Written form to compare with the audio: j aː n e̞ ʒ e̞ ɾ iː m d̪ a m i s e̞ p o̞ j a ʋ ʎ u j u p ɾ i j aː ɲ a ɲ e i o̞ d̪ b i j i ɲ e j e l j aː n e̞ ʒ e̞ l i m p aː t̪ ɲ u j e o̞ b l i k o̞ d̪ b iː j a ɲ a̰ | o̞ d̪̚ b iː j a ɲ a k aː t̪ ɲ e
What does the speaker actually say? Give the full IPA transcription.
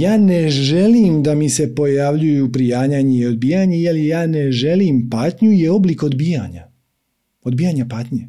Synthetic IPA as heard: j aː n e̞ ʒ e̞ l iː m d̪ a m i s e̞ p o̞ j a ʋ ʎ u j u p ɾ i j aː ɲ a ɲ e i o̞ d̪ b i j a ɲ e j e l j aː n e̞ ʒ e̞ l i m p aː t̪ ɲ u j e o̞ b l i k o̞ d̪ b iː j a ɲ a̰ | o̞ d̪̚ b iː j a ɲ a p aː t̪ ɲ e